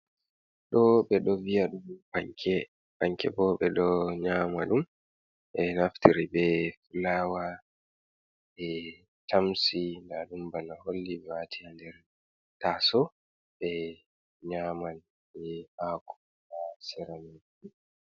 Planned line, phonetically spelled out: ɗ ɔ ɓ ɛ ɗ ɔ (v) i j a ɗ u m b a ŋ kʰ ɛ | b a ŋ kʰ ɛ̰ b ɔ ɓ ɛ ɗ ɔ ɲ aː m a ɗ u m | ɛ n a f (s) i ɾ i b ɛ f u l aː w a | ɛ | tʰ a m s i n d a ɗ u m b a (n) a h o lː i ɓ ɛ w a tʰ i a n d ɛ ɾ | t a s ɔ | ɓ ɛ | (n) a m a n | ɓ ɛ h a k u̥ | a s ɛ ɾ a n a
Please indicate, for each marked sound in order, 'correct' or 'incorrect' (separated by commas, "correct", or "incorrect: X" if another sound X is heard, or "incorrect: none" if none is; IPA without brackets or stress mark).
correct, incorrect: t, correct, incorrect: ɲ